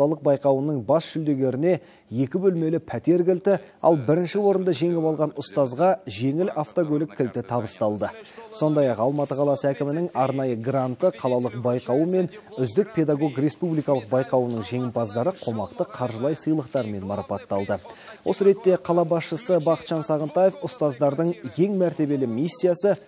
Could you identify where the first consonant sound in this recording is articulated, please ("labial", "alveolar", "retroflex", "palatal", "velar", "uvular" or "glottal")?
alveolar